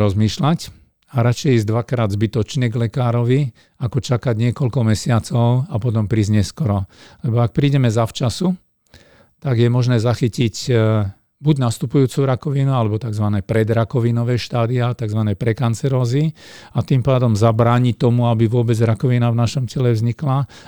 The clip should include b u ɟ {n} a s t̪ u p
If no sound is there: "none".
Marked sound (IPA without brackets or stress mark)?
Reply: n